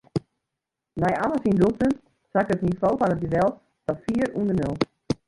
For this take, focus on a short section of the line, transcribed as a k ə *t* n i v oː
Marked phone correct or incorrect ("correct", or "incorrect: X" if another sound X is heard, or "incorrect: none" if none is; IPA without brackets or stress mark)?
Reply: correct